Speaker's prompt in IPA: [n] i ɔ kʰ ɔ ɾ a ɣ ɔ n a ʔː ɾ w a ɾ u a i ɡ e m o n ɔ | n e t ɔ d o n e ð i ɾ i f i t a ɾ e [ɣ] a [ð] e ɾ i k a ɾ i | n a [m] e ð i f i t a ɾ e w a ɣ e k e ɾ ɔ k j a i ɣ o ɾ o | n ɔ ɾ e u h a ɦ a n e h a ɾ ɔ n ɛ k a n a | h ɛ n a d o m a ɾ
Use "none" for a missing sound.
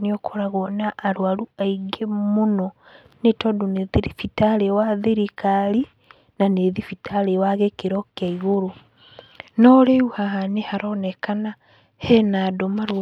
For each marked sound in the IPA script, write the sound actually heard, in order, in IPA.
n, w, ð, n

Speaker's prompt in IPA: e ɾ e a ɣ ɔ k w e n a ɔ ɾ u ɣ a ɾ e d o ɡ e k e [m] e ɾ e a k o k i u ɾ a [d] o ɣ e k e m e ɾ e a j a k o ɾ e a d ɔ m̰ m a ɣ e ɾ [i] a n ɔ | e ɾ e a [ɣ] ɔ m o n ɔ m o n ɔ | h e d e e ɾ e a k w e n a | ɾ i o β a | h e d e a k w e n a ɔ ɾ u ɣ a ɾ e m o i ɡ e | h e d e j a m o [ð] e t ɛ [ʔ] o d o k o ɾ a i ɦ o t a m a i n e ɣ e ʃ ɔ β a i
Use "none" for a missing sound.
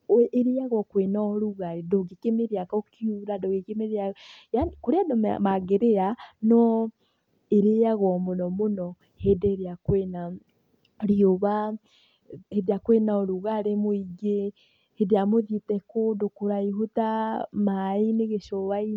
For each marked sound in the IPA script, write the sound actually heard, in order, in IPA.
m, d, e, ɣ, ð, k

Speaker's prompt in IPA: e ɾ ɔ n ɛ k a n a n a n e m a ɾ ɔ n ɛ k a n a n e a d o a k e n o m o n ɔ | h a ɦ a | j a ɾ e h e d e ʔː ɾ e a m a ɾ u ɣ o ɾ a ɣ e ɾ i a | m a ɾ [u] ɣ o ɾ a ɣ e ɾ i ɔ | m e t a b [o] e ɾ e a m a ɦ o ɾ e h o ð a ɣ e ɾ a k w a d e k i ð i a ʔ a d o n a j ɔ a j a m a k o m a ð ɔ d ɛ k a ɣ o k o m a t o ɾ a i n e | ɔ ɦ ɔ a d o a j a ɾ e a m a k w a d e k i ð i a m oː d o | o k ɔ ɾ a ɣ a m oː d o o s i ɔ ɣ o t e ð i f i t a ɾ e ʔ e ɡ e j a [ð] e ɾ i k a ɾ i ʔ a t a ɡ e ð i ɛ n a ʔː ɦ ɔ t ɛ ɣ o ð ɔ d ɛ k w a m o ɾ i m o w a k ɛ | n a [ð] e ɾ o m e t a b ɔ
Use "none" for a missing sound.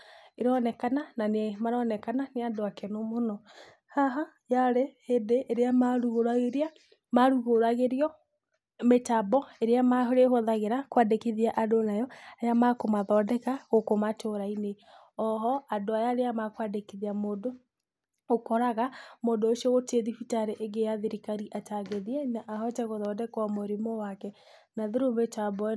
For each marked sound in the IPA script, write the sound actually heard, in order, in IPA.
u, ɔ, ð, ð

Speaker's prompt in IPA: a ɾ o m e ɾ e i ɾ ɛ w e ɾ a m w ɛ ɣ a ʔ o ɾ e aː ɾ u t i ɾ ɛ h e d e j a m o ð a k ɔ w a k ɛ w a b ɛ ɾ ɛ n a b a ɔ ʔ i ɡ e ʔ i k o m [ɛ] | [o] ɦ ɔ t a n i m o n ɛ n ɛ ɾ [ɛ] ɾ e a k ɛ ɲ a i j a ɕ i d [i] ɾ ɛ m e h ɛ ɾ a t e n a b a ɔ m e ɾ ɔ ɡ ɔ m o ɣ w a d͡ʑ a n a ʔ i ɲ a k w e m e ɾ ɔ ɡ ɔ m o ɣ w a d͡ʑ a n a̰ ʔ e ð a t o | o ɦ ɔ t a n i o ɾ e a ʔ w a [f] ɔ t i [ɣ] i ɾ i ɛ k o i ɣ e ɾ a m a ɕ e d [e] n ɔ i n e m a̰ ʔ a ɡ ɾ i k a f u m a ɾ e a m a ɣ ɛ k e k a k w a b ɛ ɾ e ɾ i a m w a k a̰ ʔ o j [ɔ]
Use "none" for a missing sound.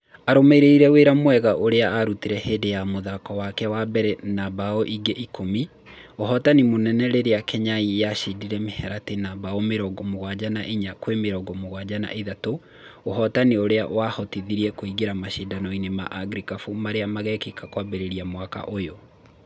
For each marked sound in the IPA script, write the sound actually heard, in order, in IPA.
i, o, e, i, h, ð, a, o

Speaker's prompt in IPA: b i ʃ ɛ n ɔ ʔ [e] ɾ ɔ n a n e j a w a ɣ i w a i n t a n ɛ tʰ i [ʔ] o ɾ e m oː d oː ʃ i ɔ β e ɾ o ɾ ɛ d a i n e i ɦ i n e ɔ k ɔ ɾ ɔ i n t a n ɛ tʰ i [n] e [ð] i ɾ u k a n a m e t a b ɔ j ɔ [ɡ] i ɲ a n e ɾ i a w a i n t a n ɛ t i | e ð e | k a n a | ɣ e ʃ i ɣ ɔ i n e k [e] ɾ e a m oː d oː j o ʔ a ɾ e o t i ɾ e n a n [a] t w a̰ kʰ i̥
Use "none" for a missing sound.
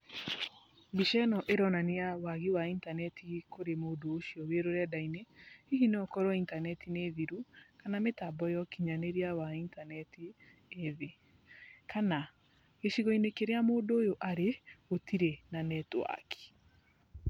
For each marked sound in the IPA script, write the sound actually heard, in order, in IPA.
e, k, n, ð, k, e, ɛ

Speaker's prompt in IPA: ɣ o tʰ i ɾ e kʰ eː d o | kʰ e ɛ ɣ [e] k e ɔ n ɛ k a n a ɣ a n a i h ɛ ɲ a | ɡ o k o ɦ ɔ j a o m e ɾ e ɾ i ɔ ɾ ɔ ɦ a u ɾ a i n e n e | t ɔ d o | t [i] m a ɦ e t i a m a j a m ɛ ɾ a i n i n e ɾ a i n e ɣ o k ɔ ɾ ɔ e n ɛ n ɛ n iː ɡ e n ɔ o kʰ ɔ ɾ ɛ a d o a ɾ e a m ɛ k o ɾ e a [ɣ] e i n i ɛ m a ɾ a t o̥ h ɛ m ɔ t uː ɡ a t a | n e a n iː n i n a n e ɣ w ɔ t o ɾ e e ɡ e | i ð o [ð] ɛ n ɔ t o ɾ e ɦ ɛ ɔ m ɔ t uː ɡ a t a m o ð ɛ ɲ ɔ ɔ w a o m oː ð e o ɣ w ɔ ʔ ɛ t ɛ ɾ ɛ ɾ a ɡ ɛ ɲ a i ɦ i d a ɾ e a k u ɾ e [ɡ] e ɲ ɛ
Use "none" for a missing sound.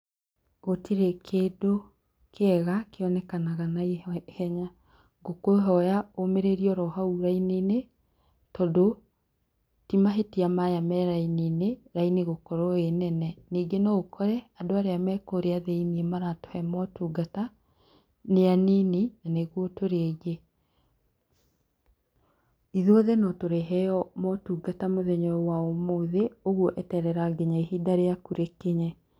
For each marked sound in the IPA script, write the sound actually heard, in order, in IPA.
a, i, ð, ð, k

